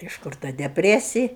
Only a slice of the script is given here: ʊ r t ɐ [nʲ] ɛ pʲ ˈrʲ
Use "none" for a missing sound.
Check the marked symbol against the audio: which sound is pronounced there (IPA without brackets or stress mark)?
dʲ